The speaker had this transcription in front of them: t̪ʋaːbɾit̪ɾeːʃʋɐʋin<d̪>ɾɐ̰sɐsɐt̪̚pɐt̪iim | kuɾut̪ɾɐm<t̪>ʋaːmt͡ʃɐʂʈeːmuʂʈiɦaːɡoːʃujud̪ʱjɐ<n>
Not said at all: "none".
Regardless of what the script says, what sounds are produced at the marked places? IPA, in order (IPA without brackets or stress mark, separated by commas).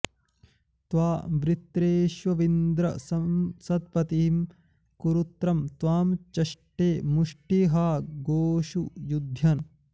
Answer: d̪, t̪, n